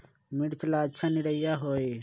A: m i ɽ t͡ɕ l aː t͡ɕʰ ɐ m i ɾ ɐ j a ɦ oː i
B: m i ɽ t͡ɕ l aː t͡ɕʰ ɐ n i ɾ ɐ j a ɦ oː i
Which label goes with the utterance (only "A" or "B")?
B